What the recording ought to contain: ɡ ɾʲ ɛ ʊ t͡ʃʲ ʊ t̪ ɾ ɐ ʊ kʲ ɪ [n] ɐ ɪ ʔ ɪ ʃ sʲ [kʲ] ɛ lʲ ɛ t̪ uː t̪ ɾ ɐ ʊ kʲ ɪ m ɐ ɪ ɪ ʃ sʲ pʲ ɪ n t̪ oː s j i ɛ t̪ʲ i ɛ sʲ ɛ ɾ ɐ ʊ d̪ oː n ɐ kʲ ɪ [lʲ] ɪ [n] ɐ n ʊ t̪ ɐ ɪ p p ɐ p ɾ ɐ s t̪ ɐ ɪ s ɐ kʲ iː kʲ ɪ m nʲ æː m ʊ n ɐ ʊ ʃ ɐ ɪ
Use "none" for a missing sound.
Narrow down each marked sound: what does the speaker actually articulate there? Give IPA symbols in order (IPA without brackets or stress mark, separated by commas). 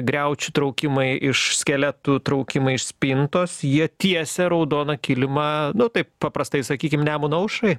m, kʲ, lʲ, m